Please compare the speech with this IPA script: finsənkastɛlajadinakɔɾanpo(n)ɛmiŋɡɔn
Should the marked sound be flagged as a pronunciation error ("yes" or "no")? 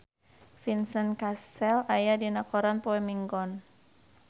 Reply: yes